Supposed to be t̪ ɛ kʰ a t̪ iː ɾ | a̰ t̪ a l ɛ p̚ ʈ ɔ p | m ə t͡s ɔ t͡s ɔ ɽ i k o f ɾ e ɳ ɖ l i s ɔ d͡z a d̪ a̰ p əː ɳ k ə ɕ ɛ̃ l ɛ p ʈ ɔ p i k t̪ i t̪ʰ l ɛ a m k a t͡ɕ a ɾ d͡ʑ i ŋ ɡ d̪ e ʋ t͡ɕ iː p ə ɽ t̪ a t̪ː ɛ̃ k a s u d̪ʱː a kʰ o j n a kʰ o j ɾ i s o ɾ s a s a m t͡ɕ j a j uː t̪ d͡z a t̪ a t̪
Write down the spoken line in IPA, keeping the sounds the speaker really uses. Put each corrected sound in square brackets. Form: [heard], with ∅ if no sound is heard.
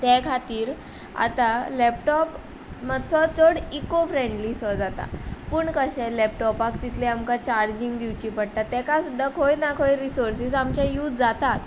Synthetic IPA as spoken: t̪ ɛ kʰ a t̪ iː ɾ | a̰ t̪ a l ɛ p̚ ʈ ɔ p | m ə t͡s ɔ t͡s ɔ ɽ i k o f ɾ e ɳ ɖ l i s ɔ d͡z a [t̪] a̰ p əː ɳ k ə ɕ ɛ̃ l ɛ p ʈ ɔ p [a] k t̪ i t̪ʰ l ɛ a m k a t͡ɕ a ɾ d͡ʑ i ŋ ɡ d̪ [i] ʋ t͡ɕ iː p ə ɽ t̪ a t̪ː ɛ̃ k a s u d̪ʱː a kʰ o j n a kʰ o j ɾ i s o ɾ s [i] s a m t͡ɕ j a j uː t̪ d͡z a t̪ a t̪

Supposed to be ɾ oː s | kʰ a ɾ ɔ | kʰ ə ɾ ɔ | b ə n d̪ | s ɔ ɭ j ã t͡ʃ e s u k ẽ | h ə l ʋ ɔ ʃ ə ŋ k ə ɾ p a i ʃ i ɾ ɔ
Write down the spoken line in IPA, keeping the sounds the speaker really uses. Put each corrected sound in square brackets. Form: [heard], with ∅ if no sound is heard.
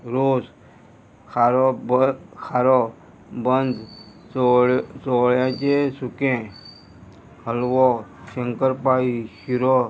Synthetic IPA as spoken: ɾ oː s | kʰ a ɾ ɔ | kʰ [a] ɾ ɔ | b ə n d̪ | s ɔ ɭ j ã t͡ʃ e s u k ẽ | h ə l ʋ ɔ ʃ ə ŋ k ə ɾ p a i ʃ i ɾ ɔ

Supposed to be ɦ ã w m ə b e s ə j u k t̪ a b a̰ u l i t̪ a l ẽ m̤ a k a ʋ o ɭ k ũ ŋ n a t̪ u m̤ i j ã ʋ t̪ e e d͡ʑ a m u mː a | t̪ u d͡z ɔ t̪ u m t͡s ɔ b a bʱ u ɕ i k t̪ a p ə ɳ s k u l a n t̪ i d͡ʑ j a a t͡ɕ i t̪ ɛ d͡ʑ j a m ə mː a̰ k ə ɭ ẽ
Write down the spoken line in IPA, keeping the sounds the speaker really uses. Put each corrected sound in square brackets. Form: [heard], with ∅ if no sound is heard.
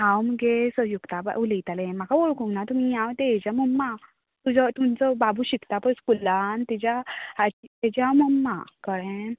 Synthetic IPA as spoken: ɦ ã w m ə [ɡ] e s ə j u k t̪ a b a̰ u l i t̪ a l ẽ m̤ a k a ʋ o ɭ k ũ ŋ n a t̪ u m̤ i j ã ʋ t̪ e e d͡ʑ a m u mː a | t̪ u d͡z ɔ t̪ u m t͡s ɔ b a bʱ u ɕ i k t̪ a p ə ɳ s k u l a n t̪ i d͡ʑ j a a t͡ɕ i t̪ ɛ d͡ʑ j a m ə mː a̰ k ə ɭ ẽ

